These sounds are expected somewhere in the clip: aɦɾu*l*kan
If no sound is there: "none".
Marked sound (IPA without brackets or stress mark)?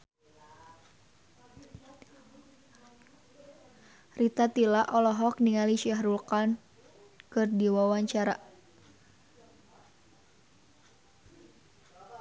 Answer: l